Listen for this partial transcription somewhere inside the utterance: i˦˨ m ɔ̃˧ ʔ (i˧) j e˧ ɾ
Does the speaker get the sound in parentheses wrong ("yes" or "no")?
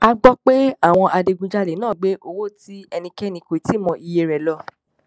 no